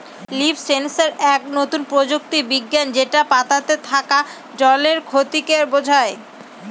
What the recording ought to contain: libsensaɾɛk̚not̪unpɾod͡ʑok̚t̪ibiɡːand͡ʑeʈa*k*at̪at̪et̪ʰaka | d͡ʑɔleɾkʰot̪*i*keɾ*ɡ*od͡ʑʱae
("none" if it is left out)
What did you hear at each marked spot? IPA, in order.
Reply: p, i, b

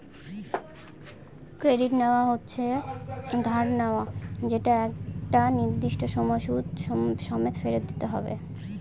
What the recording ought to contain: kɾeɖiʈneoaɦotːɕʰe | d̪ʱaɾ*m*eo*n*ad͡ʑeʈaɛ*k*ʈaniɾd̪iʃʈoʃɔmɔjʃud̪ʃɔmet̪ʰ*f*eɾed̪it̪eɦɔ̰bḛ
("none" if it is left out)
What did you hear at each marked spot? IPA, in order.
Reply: n, none, k, f

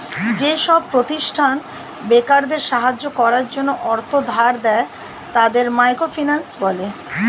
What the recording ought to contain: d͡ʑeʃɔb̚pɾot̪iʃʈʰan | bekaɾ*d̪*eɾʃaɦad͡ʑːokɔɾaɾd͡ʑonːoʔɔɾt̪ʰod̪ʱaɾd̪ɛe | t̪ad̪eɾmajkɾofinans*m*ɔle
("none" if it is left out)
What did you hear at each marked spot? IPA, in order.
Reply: d̪, b

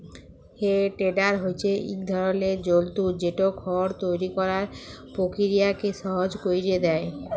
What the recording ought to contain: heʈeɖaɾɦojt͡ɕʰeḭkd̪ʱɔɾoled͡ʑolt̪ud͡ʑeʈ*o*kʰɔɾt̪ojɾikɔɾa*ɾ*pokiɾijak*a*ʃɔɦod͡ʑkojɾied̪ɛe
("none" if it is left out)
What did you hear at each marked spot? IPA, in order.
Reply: o, ɾ, e

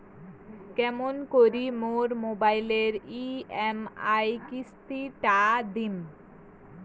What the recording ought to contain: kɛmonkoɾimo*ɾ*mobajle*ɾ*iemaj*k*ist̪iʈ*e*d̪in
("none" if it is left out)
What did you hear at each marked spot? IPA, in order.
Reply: ɾ, ɾ, k, a

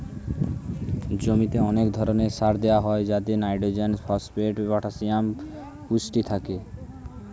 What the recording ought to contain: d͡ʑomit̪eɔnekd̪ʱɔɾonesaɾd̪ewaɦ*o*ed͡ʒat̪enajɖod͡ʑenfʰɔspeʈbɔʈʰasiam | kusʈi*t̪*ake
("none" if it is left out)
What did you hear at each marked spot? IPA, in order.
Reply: ɔ, t̪ʰ

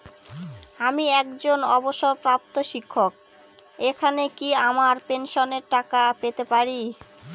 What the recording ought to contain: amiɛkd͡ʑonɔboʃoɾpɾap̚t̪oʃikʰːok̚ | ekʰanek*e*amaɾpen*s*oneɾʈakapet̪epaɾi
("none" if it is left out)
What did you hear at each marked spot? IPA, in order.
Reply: i, ʃ

